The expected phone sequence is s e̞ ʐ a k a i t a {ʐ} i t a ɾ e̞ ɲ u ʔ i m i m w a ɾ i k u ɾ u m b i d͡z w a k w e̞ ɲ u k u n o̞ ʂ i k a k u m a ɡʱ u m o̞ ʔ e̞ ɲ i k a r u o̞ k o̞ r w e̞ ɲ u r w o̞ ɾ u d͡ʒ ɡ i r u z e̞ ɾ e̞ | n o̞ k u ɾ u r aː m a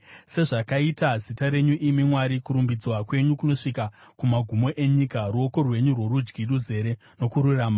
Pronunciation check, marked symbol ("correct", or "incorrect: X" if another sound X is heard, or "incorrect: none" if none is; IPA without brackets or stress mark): incorrect: z